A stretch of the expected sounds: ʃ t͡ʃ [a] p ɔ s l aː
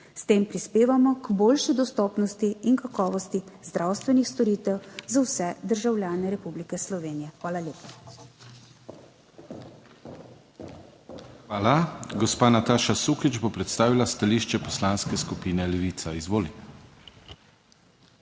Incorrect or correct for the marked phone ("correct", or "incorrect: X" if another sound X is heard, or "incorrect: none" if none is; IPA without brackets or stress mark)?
incorrect: ɛ